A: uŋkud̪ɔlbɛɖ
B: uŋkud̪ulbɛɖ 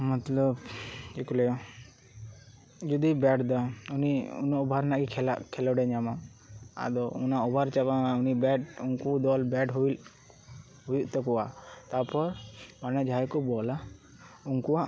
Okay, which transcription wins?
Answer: A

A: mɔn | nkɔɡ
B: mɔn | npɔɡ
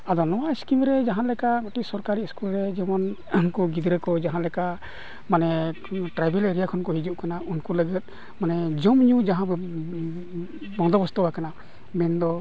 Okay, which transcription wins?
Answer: A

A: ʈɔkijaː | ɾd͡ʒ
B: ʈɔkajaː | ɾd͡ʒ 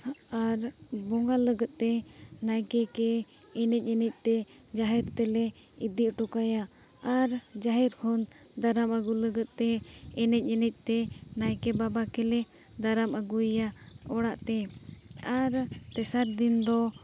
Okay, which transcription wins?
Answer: B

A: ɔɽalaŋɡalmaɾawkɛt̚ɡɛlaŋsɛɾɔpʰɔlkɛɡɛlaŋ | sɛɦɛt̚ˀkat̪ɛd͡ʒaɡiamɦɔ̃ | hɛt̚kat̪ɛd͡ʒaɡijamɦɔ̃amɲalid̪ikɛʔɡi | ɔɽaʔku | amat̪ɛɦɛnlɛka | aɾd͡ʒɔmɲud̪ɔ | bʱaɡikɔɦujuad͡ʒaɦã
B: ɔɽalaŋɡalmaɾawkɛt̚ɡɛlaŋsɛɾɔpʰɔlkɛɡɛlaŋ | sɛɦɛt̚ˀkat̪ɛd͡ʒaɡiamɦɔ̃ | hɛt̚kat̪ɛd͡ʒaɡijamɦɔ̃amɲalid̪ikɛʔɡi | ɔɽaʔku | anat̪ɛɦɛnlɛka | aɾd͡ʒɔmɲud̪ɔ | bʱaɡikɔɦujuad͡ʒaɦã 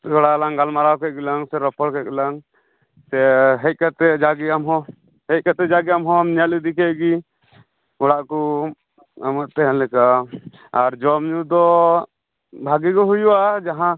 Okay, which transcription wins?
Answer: A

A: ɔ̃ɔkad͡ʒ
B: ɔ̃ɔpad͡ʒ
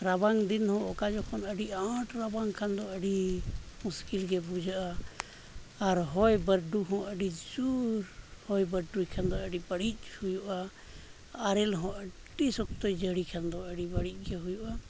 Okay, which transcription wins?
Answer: A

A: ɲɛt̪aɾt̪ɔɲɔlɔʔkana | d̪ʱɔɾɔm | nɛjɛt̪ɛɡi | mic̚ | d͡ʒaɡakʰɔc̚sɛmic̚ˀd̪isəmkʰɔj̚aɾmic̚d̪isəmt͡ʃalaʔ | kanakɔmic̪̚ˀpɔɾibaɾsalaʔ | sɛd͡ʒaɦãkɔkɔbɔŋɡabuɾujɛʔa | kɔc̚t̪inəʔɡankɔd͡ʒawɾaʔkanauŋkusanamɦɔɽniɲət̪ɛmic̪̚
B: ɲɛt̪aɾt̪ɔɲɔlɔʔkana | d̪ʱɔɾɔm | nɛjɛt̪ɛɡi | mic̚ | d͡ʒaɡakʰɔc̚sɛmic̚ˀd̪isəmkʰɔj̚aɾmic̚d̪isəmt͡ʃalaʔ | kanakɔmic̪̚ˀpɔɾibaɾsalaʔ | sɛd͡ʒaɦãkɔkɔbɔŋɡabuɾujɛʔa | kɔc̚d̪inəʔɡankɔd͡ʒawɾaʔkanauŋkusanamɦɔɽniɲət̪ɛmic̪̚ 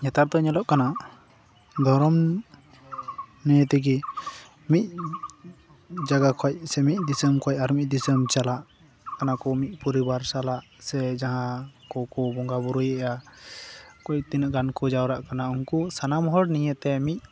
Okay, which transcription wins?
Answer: A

